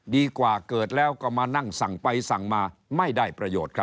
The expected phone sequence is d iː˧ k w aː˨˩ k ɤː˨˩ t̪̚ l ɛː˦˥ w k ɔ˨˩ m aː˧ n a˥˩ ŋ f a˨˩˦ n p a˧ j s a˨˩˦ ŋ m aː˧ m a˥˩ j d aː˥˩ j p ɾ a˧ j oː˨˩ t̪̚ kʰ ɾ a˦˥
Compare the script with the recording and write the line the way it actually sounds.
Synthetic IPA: d iː˧ k w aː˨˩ k ɤː˨˩ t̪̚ l ɛː˦˥ w k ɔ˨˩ m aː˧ n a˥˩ ŋ s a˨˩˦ ŋ p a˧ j s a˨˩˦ ŋ m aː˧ m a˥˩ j d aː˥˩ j p ɾ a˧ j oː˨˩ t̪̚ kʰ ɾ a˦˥

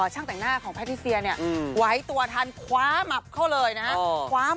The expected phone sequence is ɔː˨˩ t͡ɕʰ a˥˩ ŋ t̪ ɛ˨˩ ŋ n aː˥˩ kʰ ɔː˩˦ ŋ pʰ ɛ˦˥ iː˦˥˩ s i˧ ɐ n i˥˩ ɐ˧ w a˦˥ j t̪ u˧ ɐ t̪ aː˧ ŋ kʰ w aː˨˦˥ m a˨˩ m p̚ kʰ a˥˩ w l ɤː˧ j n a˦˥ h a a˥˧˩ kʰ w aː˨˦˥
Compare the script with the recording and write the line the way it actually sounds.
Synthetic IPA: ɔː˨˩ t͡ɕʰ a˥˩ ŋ t̪ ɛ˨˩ ŋ n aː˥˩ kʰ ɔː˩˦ ŋ pʰ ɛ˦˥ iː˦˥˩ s i˧ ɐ n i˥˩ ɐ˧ w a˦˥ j t̪ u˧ ɐ t̪ʰ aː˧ n kʰ w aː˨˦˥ m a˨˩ p̚ kʰ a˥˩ w l ɤː˧ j n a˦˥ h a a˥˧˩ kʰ w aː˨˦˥

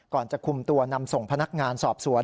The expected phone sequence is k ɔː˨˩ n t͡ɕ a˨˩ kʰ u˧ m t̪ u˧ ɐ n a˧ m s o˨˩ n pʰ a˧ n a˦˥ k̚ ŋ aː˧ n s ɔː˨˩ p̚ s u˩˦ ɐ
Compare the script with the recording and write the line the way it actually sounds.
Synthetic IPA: k ɔː˨˩ n t͡ɕ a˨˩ kʰ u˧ m t̪ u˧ ɐ n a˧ m s o˨˩ ŋ pʰ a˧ n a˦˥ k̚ ŋ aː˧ n s ɔː˨˩ p̚ s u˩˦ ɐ

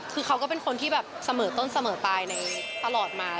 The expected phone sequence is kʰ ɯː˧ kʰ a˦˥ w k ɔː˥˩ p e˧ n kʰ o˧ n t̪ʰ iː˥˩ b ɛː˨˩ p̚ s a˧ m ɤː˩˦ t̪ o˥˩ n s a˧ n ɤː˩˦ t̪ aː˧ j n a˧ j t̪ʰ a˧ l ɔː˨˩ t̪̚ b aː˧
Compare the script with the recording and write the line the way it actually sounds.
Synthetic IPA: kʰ ɯː˧ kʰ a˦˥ w k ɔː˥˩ p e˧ n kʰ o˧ n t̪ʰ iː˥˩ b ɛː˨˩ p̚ s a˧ m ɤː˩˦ t̪ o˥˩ n s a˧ m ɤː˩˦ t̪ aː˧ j n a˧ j t̪ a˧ l ɔː˨˩ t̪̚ m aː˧

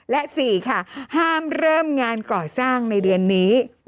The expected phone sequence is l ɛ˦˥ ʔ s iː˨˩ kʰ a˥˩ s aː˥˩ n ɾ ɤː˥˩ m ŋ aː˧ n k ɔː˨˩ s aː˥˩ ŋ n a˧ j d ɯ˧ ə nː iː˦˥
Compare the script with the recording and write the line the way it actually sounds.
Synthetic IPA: l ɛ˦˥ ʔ s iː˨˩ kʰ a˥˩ h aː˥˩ m ɾ ɤː˥˩ m ŋ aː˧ n k ɔː˨˩ s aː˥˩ ŋ n a˧ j d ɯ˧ ə nː iː˦˥

